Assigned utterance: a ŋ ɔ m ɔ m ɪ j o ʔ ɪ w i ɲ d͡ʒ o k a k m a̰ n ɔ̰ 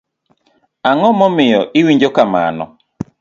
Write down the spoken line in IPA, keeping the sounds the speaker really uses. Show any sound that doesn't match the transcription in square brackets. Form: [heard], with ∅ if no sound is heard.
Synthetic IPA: a ŋ ɔ m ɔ m ɪ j [ɔ] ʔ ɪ w i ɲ d͡ʒ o k a [∅] m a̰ n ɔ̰